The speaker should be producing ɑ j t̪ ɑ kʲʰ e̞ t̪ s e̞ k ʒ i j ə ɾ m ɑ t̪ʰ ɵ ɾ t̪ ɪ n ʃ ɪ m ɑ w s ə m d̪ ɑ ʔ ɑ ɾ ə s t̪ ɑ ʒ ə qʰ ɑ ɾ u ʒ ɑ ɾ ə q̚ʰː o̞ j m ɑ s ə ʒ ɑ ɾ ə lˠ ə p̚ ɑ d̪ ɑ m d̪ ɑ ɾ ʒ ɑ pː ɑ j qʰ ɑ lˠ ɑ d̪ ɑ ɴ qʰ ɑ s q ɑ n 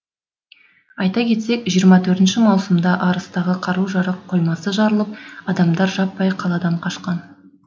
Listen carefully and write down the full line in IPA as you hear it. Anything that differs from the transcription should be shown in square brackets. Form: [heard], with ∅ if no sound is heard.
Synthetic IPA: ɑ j t̪ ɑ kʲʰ e̞ t̪ s e̞ k ʒ i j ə ɾ m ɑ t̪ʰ ɵ ɾ t̪ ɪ n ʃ ɪ m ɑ w s ə m d̪ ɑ ʔ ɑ ɾ ə s t̪ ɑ [ʁ] ə qʰ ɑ ɾ u ʒ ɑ ɾ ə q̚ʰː o̞ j m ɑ s ə ʒ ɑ ɾ ə lˠ ə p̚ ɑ d̪ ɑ m d̪ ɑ ɾ ʒ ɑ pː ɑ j qʰ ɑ lˠ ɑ d̪ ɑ ɴ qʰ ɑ [ʃ] q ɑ n